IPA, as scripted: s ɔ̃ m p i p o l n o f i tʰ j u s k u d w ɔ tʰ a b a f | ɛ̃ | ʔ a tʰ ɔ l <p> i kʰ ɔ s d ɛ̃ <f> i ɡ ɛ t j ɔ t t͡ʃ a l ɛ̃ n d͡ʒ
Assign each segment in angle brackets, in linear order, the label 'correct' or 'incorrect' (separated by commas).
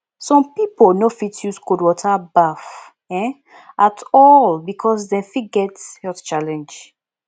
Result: incorrect, correct